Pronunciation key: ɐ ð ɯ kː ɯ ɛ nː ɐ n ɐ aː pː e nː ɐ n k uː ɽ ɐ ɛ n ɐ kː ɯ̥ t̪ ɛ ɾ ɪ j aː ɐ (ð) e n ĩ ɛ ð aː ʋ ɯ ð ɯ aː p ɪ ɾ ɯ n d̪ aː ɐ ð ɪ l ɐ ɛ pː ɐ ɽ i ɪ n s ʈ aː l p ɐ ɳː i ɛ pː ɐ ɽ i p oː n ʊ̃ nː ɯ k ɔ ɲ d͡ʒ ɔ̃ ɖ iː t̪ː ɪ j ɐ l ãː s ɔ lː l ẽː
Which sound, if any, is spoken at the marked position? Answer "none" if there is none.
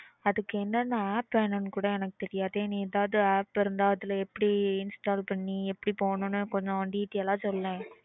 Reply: ð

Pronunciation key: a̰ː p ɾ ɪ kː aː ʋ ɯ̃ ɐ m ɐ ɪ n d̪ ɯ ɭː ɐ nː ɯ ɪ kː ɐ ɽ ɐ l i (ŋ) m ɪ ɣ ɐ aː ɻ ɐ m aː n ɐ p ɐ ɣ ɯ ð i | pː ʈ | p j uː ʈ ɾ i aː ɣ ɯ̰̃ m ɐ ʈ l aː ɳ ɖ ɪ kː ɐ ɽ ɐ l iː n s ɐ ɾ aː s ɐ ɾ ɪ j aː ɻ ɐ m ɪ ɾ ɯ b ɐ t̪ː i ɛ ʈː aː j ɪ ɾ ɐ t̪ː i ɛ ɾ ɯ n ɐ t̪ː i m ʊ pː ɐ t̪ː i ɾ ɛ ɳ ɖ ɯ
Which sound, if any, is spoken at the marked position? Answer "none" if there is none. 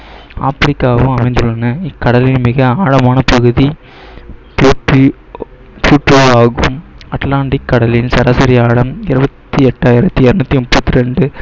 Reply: n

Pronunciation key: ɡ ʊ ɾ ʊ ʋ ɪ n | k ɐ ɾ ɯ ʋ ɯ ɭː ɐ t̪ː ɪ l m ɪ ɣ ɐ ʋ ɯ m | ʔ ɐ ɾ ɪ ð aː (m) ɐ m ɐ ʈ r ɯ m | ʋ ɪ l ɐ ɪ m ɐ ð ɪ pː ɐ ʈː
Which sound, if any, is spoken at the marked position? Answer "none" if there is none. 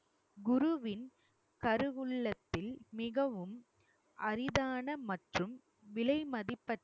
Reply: n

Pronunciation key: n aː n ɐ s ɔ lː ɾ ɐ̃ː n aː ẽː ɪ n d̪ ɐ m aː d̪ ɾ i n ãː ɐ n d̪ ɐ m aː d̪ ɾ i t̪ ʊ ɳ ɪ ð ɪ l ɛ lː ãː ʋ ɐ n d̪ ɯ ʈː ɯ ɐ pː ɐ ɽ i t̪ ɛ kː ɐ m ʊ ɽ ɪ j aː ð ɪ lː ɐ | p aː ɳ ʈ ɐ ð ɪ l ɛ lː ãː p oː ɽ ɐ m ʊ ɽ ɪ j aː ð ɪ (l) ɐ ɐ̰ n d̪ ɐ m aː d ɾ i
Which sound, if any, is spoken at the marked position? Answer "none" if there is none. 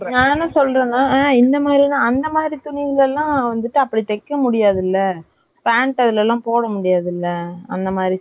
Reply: lː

